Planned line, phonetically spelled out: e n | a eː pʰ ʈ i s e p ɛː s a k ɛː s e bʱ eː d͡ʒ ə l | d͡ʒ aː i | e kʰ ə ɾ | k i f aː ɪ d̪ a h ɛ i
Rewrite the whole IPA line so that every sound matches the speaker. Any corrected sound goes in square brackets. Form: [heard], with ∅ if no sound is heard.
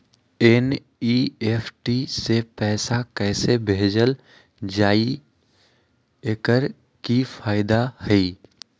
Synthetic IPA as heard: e n | [i] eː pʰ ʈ i s e p ɛː s a k ɛː s e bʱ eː d͡ʒ ə l | d͡ʒ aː i | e [k] ə ɾ | k i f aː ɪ d̪ a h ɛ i